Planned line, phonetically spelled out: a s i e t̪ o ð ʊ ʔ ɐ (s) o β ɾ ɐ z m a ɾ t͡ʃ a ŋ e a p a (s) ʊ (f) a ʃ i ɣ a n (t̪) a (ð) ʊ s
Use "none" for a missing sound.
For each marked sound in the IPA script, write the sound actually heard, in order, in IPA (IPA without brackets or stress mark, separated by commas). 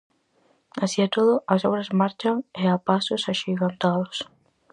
s, s, s, t̪, ð